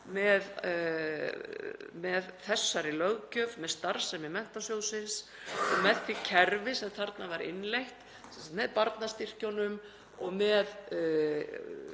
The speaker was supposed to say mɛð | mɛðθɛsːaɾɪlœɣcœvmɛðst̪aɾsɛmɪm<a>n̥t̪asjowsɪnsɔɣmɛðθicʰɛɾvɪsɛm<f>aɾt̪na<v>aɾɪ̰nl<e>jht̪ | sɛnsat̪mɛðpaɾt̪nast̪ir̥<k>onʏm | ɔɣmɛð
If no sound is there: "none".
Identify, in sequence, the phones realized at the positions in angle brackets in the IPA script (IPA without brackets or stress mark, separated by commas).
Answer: ɛ, θ, v, e, c